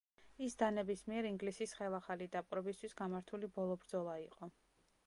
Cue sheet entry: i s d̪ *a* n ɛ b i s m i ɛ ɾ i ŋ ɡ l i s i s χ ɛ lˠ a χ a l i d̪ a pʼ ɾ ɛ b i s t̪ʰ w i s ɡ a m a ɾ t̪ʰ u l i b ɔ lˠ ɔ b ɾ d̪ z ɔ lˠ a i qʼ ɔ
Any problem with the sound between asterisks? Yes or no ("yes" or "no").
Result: no